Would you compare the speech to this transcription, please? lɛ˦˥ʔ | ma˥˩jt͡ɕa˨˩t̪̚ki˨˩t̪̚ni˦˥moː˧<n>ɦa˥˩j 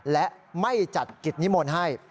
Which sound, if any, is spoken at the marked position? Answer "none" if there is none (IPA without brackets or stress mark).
n